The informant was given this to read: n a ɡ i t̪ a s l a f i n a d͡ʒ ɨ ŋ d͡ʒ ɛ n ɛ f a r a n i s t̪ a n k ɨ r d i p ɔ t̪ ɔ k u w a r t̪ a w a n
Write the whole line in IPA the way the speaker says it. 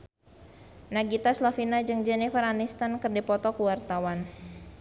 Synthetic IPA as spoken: n a ɡ i t̪ a s l a f i n a d͡ʒ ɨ ŋ d͡ʒ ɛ n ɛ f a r a n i s t̪ a n k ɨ r d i p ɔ t̪ ɔ k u w a r t̪ a w a n